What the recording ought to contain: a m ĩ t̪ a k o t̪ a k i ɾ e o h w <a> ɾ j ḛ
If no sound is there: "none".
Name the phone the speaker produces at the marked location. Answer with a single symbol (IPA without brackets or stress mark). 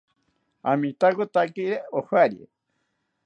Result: a